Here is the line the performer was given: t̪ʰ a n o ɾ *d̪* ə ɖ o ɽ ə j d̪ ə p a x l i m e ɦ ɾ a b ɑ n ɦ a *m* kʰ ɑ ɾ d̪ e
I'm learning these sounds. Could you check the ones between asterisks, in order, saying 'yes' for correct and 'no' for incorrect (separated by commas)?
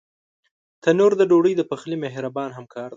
yes, yes